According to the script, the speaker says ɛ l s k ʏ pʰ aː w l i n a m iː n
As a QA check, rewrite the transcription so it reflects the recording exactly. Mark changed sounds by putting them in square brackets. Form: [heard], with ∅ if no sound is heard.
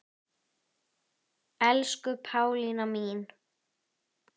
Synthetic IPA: ɛ l s k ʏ pʰ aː w l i n a m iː n